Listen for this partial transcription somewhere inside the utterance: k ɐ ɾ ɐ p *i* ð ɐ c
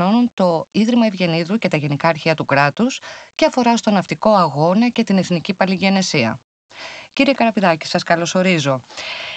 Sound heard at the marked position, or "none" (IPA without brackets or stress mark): i